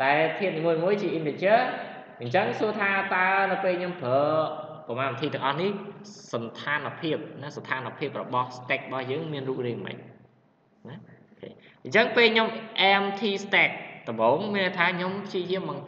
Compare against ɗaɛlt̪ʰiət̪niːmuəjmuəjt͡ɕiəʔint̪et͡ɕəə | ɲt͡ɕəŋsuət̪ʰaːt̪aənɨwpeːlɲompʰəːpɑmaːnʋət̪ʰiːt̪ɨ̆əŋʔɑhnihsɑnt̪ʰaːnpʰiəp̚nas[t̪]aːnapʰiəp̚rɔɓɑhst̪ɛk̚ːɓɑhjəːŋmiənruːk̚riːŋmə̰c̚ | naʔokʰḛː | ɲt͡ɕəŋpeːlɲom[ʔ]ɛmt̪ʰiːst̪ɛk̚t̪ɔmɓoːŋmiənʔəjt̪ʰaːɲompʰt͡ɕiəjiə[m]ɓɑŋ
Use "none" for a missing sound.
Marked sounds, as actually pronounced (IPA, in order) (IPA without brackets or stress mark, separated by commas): t̪ʰ, ʔ, m